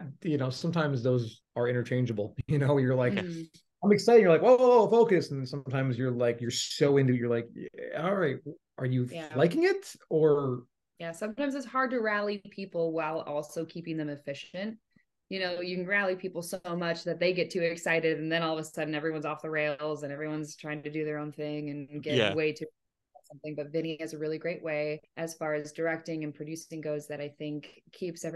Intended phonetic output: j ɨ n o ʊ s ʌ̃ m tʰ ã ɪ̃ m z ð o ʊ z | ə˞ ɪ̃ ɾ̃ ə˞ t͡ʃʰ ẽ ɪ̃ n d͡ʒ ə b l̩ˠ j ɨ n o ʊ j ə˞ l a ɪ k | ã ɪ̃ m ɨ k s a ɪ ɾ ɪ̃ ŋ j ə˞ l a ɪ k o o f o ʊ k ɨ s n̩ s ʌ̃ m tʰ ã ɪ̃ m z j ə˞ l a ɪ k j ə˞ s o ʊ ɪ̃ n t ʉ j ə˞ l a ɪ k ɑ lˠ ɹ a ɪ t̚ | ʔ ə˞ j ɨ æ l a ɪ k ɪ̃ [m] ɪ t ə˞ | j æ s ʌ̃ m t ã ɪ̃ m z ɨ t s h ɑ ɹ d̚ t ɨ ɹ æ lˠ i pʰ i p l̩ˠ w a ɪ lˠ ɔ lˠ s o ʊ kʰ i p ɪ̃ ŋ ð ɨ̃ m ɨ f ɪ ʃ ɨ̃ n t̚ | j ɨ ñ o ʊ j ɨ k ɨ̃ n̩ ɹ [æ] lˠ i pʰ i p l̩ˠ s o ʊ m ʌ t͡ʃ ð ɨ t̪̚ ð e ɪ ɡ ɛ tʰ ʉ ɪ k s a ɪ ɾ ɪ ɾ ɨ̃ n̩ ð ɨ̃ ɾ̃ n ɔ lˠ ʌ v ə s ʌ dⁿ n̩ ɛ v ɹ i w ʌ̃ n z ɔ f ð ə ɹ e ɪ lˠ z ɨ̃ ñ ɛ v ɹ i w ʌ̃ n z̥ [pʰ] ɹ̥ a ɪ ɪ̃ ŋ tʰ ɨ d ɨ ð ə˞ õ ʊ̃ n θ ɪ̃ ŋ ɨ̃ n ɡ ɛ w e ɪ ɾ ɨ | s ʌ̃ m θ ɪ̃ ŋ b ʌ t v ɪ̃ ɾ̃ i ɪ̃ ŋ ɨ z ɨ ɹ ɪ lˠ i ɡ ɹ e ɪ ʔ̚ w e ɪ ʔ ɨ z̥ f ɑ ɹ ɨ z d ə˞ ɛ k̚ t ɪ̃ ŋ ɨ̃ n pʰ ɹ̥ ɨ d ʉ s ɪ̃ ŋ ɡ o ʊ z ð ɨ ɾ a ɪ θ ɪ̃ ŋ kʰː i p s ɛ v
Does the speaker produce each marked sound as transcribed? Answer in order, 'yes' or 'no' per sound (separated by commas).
no, yes, no